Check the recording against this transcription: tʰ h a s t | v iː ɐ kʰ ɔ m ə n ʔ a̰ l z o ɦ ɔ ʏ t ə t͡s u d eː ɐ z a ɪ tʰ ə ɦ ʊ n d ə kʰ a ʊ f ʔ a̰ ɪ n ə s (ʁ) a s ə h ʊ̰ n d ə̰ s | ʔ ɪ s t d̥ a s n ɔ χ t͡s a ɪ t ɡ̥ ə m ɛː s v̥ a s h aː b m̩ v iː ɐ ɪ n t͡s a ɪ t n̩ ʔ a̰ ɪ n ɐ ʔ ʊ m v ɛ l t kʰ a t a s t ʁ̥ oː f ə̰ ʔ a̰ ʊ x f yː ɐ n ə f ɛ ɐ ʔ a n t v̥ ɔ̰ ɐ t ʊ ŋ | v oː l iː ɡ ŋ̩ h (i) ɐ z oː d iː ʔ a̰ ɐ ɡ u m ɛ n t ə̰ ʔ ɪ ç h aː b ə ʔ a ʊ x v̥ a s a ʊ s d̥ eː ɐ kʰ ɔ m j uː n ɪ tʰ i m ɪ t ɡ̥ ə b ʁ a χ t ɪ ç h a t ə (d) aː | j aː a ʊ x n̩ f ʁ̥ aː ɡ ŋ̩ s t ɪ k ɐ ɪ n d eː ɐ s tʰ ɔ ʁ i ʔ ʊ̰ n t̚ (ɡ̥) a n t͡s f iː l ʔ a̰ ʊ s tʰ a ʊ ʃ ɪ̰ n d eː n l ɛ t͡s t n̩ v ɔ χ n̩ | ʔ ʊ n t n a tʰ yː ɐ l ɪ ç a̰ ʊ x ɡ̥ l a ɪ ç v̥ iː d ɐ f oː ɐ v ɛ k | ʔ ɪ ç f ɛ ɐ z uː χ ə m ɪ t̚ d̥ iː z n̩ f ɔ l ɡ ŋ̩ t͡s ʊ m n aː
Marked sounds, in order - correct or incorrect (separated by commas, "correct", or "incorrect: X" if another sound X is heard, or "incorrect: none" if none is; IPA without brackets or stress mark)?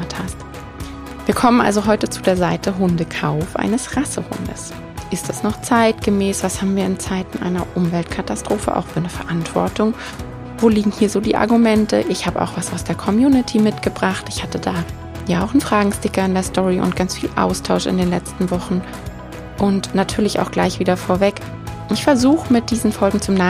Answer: correct, incorrect: iː, correct, correct